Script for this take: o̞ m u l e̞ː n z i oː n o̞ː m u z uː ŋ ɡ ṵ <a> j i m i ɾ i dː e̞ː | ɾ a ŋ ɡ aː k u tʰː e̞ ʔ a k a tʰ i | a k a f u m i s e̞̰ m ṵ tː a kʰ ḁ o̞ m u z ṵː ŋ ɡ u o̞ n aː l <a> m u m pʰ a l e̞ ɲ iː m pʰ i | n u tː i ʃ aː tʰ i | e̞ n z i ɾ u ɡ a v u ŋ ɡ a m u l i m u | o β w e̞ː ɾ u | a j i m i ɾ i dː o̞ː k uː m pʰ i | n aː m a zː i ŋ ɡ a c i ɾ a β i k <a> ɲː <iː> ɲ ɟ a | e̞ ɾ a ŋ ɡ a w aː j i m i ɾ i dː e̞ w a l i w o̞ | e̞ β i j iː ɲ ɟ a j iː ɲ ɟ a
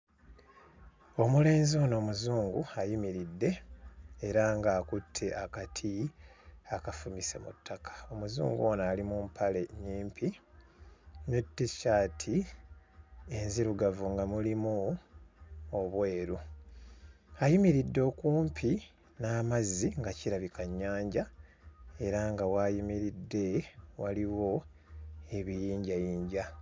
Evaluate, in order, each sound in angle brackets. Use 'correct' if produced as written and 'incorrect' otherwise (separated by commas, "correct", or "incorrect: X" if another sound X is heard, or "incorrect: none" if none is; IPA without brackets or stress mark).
correct, incorrect: i, correct, incorrect: aː